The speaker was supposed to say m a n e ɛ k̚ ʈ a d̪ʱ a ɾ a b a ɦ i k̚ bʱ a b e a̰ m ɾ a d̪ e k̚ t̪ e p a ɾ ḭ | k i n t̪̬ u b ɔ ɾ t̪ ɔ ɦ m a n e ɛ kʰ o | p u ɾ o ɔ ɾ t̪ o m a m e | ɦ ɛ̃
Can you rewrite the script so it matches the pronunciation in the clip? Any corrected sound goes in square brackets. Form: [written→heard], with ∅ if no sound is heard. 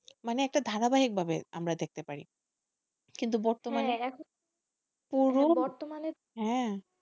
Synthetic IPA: m a n e ɛ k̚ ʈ a d̪ʱ a ɾ a b a ɦ i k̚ bʱ a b e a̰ m ɾ a d̪ e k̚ t̪ e p a ɾ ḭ | k i n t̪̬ u b ɔ ɾ t̪ [ɔ→o] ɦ m a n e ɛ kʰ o | p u ɾ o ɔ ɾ t̪ o m a [m→n] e | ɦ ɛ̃

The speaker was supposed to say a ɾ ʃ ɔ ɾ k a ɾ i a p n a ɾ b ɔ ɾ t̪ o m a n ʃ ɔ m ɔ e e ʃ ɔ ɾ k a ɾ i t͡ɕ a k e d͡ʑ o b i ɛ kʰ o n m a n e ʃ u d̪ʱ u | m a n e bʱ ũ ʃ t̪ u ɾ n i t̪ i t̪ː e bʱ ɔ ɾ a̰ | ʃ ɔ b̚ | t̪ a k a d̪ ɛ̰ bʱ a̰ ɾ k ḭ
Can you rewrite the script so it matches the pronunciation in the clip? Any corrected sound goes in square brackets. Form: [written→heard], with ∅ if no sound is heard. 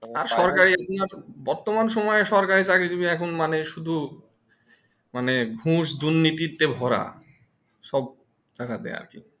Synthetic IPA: a ɾ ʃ ɔ ɾ k a ɾ i a p n a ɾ b ɔ ɾ t̪ o m a n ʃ ɔ m ɔ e e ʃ ɔ ɾ k a ɾ i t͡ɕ a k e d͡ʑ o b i ɛ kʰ o n m a n e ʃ u d̪ʱ u | m a n e bʱ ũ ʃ [t̪→d̪] u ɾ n i t̪ i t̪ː e bʱ ɔ ɾ a̰ | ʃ ɔ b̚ | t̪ a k a d̪ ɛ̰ [bʱ→∅] a̰ ɾ k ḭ

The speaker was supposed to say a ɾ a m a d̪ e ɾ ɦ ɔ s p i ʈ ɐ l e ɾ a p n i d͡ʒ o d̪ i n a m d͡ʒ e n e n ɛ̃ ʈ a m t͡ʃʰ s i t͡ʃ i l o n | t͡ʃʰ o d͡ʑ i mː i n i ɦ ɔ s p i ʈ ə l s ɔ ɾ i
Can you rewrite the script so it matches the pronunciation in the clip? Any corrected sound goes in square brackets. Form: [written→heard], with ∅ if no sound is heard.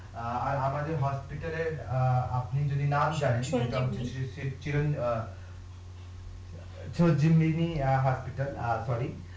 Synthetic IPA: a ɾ a m a d̪ e ɾ ɦ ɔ s p i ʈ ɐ l e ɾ a p n i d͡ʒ o d̪ i n a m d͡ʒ [e→a] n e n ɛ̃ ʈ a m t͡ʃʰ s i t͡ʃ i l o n | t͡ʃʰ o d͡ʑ i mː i n i ɦ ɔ s p i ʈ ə l s ɔ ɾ i

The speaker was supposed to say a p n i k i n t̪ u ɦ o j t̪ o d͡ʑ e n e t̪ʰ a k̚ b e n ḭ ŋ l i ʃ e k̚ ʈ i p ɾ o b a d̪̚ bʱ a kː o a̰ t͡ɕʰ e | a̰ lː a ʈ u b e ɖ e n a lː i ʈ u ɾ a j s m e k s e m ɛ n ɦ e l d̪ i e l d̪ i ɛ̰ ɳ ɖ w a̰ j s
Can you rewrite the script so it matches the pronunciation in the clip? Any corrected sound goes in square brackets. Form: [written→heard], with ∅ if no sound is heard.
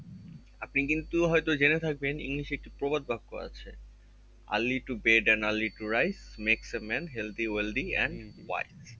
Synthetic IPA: a p n i k i n t̪ u ɦ [o→ɔ] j t̪ o d͡ʑ e n e t̪ʰ a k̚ b e n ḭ ŋ l i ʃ e k̚ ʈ i p ɾ o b a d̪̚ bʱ a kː o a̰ t͡ɕʰ e | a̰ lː [a→i] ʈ u b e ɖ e n a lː i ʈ u ɾ a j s m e k s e m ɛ n ɦ e l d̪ i e l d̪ i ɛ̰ ɳ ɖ w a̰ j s

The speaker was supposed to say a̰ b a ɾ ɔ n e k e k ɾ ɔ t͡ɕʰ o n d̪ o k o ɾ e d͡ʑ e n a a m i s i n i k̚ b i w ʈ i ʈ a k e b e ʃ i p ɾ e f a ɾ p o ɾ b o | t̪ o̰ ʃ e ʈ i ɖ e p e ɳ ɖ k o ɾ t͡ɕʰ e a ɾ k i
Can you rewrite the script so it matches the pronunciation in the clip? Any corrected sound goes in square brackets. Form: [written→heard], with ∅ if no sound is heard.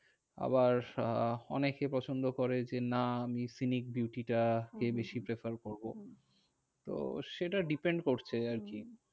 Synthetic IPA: a̰ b a ɾ ɔ n e k e [k→p] ɾ ɔ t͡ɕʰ o n d̪ o k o ɾ e d͡ʑ e n a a m i s i n i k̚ b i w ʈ i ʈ a k e b e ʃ i p ɾ e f a ɾ [p→k] o ɾ b o | t̪ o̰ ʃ e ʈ [i→a] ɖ [e→i] p e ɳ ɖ k o ɾ t͡ɕʰ e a ɾ k i

